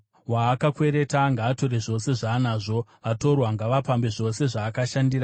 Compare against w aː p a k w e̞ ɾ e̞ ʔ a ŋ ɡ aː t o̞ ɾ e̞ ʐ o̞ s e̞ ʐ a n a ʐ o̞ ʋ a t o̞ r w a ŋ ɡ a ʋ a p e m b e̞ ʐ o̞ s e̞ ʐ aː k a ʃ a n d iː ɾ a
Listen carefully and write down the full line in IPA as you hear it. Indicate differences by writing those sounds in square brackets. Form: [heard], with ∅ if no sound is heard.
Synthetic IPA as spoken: w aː [k] a k w e̞ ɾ e̞ [t] a ŋ ɡ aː t o̞ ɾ e̞ ʐ o̞ s e̞ ʐ a n a ʐ o̞ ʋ a t o̞ r w a ŋ ɡ a ʋ a p [a] m b e̞ ʐ o̞ s e̞ ʐ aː k a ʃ a n d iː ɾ a